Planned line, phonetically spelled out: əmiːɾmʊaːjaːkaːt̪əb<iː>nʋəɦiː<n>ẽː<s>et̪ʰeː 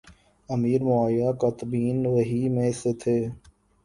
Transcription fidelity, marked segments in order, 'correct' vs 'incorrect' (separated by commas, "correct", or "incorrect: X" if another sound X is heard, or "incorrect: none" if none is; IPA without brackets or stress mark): correct, incorrect: m, correct